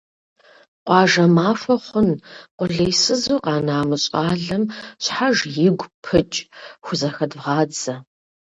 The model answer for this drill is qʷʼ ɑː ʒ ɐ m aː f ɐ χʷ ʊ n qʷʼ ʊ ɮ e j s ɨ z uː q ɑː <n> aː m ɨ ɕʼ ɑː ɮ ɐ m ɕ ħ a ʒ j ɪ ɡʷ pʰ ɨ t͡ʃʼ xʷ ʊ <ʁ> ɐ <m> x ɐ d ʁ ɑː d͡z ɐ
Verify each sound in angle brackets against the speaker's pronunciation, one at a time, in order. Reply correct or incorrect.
correct, incorrect: z, incorrect: none

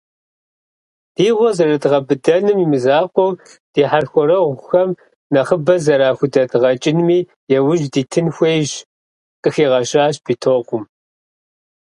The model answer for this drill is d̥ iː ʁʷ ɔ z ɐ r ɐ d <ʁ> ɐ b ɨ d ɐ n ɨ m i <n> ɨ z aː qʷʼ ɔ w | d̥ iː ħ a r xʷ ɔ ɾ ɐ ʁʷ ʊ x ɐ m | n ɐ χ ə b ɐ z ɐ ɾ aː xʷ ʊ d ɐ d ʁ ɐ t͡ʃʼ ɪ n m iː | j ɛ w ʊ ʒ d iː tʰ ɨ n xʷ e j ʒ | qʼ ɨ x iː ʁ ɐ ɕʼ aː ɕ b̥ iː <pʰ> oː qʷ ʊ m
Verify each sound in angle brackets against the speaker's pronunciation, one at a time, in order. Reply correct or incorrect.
correct, incorrect: m, incorrect: tʰ

